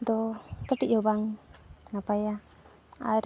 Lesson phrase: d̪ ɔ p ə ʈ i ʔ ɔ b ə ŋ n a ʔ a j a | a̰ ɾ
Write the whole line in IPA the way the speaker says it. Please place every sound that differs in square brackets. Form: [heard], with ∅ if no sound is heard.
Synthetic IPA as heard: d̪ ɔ [k] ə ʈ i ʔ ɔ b [a] ŋ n a [p] a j a | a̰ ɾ